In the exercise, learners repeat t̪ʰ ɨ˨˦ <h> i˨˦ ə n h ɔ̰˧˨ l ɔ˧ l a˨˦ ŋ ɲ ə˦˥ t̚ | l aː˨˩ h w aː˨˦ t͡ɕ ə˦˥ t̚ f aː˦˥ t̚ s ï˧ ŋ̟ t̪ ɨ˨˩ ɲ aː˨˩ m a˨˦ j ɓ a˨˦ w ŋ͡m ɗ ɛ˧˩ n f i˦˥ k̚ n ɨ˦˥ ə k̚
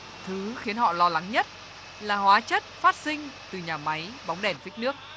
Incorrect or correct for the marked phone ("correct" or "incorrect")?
incorrect